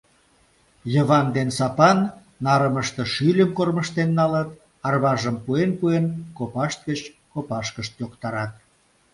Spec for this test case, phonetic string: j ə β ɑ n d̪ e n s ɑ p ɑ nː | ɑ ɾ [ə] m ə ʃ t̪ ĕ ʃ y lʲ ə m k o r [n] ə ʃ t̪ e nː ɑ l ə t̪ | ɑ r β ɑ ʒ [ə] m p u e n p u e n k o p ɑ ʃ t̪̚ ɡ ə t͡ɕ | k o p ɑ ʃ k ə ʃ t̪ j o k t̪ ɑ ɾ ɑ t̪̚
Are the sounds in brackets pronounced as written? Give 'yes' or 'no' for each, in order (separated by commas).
yes, no, yes